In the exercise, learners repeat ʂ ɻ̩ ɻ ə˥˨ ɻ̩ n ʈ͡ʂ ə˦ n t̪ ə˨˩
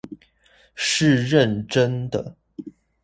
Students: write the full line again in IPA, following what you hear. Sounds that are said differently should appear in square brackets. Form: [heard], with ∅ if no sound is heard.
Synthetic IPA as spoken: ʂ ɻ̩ ɻ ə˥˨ [∅] n ʈ͡ʂ ə˦ n [d̪] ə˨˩